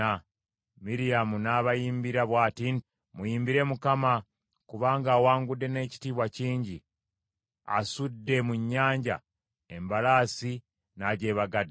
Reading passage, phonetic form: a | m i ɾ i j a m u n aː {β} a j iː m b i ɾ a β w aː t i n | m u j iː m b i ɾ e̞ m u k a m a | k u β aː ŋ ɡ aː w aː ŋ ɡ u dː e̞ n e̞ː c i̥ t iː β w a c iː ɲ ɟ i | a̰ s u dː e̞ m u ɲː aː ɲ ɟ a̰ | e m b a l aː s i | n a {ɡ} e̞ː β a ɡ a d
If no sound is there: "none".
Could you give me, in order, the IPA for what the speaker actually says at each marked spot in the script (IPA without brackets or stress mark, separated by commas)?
β, ɟ